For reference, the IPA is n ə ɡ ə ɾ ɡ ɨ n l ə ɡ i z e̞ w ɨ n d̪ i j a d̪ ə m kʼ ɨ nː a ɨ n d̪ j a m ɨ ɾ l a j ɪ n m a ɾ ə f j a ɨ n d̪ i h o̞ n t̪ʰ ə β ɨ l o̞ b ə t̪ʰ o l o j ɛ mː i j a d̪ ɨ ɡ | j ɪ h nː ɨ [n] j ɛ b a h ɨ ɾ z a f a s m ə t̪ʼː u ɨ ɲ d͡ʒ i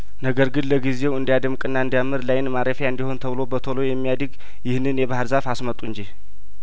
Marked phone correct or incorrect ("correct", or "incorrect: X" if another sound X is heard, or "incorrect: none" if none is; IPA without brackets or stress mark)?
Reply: correct